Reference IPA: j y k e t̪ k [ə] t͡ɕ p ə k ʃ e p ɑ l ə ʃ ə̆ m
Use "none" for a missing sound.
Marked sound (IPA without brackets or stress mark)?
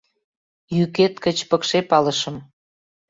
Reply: ə